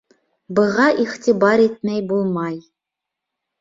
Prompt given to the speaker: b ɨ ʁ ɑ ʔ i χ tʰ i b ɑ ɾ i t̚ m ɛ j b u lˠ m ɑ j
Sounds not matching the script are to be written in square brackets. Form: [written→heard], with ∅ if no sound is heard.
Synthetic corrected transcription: b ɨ ʁ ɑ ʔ i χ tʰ i b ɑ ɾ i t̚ m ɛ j b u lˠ m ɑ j